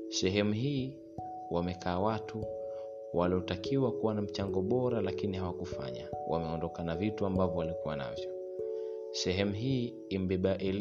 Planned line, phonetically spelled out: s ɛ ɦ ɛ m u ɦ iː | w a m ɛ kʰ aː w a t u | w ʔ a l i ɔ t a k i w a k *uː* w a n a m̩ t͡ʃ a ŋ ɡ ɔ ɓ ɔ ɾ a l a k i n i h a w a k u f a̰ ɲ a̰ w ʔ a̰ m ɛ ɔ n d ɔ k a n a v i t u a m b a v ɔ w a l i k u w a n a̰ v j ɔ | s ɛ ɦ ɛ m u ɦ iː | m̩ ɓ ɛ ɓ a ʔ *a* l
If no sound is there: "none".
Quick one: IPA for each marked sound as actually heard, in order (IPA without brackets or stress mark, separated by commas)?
u, ɛ